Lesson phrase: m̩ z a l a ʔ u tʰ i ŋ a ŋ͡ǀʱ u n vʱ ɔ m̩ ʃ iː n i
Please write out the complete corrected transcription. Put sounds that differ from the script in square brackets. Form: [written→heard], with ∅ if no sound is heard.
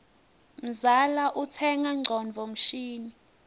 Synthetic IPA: m̩ z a l a ʔ u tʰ [i→ɛ] ŋ a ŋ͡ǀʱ [u→ɔ] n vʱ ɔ m̩ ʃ iː n i